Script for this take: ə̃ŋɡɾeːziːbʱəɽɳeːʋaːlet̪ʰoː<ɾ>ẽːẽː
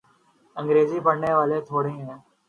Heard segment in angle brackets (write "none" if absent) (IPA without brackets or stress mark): ɽ